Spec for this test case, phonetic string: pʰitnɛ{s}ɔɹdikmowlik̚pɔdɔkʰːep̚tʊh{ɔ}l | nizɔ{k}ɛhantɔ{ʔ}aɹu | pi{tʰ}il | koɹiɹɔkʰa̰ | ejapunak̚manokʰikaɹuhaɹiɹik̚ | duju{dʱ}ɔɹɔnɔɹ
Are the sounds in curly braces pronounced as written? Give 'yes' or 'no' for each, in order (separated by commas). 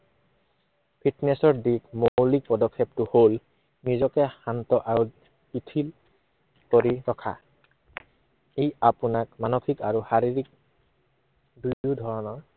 yes, no, yes, yes, yes, yes